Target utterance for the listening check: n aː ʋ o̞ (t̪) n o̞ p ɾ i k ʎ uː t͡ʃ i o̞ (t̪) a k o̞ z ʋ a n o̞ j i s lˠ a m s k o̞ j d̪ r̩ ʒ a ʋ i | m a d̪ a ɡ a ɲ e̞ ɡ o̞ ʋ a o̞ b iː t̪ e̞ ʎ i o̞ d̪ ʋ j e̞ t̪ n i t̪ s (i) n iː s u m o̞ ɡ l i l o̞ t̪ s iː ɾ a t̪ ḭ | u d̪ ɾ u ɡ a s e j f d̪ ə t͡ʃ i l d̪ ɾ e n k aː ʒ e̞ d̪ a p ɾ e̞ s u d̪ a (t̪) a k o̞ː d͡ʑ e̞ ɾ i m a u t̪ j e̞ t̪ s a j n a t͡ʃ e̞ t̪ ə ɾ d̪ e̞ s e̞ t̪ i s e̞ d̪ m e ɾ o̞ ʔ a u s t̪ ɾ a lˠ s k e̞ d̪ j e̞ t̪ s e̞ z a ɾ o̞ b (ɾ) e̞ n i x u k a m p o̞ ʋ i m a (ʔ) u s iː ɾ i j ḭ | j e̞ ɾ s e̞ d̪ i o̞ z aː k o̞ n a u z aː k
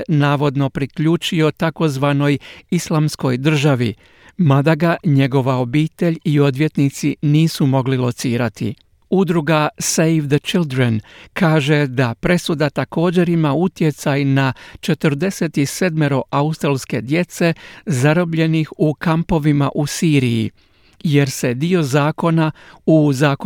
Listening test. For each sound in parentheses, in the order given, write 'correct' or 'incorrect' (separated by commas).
incorrect, correct, correct, correct, incorrect, correct